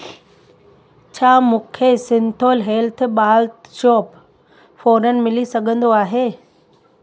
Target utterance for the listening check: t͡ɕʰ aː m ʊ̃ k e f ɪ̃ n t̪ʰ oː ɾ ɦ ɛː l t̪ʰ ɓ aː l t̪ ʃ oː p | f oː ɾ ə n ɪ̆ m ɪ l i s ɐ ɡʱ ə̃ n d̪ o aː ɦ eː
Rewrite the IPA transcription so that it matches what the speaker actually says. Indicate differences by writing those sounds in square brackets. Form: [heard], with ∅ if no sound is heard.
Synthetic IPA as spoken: t͡ɕʰ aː m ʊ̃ [kʰ] e [s] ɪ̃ n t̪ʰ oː [l] ɦ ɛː l t̪ʰ ɓ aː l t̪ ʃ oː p | f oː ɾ ə n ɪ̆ m ɪ l i s ɐ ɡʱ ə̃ n d̪ o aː ɦ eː